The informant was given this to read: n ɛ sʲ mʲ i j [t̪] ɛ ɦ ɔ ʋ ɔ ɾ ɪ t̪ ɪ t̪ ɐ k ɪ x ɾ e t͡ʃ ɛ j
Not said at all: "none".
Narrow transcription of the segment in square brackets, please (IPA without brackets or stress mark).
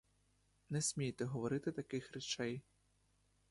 t̪